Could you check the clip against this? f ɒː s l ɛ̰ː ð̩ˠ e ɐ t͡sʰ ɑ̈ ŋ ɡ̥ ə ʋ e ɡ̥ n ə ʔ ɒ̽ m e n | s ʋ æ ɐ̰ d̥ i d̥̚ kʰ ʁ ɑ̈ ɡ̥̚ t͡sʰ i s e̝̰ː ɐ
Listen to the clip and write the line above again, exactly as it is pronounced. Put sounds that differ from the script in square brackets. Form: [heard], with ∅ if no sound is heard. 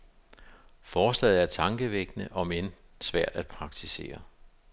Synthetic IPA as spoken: f ɒː s l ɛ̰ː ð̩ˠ [æ] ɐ t͡sʰ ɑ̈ ŋ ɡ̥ ə ʋ e ɡ̥ n ə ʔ ɒ̽ m e n | s ʋ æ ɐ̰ d̥ [æ] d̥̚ [pʰ] ʁ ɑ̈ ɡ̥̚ t͡sʰ i s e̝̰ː ɐ